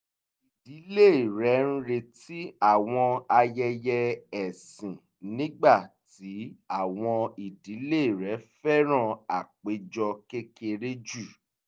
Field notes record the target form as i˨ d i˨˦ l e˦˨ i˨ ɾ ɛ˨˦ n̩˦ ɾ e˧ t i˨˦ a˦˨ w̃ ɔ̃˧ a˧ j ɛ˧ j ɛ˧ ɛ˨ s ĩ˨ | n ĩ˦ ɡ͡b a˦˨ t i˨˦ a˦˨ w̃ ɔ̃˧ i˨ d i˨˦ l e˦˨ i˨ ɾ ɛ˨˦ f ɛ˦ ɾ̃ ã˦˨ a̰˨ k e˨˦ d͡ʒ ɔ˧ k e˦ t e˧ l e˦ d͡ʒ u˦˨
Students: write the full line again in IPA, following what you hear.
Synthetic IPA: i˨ d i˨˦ l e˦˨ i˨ ɾ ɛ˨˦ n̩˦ ɾ e˧ t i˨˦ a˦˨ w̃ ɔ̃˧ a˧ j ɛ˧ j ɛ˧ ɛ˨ s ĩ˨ | n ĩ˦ ɡ͡b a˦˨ t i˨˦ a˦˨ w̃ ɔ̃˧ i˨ d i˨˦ l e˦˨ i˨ ɾ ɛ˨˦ f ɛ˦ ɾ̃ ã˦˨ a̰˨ k͡p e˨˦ d͡ʒ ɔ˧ k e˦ k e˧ ɾ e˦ d͡ʒ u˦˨